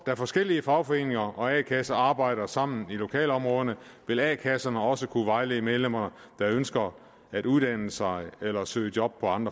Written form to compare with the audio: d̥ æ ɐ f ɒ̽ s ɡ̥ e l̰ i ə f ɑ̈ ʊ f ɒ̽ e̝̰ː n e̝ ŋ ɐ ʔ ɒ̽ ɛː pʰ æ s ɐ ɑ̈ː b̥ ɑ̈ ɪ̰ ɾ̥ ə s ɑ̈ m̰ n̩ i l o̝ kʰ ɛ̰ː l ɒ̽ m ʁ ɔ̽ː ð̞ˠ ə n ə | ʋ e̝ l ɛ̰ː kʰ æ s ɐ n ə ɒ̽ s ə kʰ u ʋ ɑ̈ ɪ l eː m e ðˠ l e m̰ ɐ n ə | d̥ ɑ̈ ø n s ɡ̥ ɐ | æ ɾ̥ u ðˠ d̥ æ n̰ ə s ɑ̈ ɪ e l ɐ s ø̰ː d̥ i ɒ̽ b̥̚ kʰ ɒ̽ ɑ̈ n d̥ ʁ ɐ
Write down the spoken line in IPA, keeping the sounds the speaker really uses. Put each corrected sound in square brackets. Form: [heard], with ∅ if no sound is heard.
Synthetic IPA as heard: d̥ æ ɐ f ɒ̽ s ɡ̥ e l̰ i ə f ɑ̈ ʊ f ɒ̽ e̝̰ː n e̝ ŋ ɐ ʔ ɒ̽ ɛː [kʰ] æ s ɐ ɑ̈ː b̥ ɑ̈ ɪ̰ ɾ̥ [ɐ] s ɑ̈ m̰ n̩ i l o̝ kʰ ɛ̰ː l ɒ̽ m ʁ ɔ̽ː ð̞ˠ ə n ə | ʋ e̝ l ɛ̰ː kʰ æ s ɐ n ə ɒ̽ s ə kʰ u ʋ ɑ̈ ɪ l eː m e ðˠ l e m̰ ɐ n ə | d̥ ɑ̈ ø n s ɡ̥ ɐ | æ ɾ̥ u ðˠ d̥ æ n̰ ə s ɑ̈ ɪ e l ɐ s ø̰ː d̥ [j] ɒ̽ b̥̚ [pʰ] ɒ̽ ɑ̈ n d̥ ʁ ɐ